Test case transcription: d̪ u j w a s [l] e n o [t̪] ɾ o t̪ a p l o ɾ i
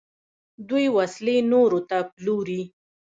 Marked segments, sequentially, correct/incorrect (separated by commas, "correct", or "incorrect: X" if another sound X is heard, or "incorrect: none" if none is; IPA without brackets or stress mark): correct, incorrect: none